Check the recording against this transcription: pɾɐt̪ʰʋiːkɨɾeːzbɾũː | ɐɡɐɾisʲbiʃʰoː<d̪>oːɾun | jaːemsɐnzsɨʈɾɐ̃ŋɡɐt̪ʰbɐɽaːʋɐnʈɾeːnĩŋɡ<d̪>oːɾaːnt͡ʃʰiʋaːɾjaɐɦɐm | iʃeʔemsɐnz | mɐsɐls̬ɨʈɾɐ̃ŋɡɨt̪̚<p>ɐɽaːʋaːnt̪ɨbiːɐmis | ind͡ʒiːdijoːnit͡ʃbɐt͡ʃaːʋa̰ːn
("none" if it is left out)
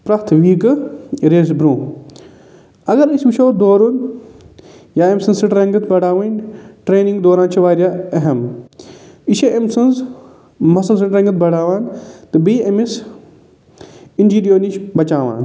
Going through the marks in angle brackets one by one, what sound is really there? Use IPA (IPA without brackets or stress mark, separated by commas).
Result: d̪, d̪, b